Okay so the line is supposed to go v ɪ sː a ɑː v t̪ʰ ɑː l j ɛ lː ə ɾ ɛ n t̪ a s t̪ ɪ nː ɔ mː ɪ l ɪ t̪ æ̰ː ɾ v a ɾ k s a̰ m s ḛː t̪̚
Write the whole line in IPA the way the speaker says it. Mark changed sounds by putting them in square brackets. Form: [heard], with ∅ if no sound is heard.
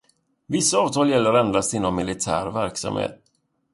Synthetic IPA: v ɪ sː a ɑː v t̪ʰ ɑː l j ɛ lː ə ɾ ɛ n [d̪] a s t̪ ɪ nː ɔ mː ɪ l ɪ [t̪ʰ] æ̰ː ɾ v [æ] ɾ k s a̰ m [h] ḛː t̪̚